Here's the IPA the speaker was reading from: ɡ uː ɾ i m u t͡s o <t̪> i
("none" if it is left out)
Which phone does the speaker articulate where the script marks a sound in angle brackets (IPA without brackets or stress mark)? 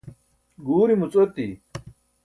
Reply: t̪